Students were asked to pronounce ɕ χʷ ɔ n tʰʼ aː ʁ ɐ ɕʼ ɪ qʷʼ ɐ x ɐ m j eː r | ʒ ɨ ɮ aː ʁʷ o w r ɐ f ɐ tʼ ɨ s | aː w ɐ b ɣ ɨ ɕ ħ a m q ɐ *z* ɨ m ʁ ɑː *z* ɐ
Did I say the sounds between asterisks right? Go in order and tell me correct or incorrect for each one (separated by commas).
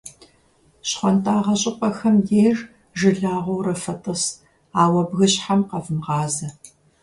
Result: incorrect, correct